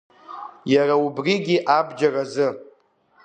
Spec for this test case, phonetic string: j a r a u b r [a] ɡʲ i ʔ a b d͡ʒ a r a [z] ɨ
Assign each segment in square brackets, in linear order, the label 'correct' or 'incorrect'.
incorrect: i, correct

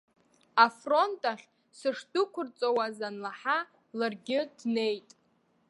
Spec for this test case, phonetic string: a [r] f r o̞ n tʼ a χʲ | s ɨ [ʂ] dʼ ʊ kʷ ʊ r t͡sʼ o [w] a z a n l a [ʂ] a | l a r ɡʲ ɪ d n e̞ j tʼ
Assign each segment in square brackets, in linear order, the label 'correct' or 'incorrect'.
incorrect: none, correct, correct, incorrect: ħ

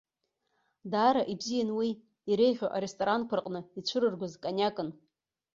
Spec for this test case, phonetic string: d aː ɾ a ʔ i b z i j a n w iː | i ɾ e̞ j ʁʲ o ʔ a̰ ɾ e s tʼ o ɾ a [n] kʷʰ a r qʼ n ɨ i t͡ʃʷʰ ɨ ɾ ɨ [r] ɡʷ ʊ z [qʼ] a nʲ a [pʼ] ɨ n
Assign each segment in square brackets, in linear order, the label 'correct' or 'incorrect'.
correct, correct, incorrect: kʼ, incorrect: kʼ

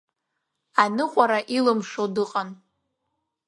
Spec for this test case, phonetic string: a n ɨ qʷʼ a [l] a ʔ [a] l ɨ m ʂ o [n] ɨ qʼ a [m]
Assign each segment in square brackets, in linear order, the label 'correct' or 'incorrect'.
incorrect: ɾ, incorrect: i, incorrect: d, incorrect: n

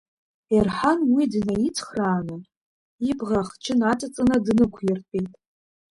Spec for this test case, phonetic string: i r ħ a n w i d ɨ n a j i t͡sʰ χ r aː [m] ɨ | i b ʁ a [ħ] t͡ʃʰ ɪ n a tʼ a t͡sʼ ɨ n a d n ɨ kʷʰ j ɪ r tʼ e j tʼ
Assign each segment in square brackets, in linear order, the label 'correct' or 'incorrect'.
incorrect: n, incorrect: χ

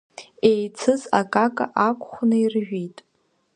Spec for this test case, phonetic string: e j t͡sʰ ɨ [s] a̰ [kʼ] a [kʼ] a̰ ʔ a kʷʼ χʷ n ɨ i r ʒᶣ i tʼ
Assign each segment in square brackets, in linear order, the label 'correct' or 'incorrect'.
incorrect: z, correct, correct

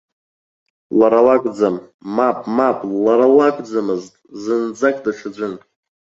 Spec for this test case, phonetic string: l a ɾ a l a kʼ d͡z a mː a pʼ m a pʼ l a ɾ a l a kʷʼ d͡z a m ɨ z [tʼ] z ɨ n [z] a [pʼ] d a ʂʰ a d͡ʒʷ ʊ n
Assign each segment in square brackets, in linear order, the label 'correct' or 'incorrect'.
correct, incorrect: d͡z, incorrect: kʼ

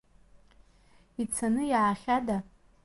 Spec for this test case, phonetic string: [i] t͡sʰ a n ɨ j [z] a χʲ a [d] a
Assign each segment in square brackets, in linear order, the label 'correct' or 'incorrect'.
correct, incorrect: ʕ, correct

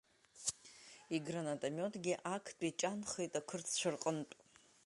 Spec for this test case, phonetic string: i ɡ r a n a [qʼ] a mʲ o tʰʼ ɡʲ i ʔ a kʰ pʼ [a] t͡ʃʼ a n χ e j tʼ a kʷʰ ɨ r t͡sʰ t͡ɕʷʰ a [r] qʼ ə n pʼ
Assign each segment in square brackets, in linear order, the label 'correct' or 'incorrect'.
incorrect: tʼ, incorrect: i, correct

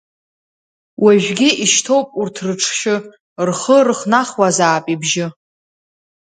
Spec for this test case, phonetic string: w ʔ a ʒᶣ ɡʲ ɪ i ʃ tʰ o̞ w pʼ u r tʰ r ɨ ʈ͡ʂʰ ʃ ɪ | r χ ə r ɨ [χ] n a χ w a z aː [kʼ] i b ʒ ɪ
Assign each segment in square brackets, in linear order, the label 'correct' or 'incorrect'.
correct, incorrect: pʼ

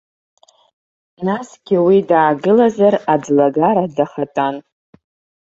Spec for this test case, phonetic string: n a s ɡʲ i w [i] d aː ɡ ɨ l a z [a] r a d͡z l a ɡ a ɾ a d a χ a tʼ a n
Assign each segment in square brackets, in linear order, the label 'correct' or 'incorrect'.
correct, correct

